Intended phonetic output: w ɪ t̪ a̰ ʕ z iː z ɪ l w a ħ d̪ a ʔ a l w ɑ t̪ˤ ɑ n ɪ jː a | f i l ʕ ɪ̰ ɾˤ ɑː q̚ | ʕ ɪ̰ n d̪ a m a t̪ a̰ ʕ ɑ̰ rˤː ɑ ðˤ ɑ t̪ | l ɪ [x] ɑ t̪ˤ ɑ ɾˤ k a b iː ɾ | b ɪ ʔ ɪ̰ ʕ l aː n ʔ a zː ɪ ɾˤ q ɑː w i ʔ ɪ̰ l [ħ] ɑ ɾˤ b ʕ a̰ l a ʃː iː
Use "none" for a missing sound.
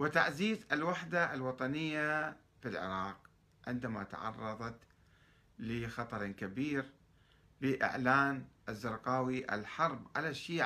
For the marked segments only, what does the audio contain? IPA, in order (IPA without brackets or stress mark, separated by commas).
x, ħ